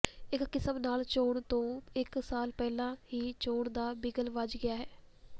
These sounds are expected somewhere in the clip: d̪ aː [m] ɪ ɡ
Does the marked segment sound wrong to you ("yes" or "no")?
yes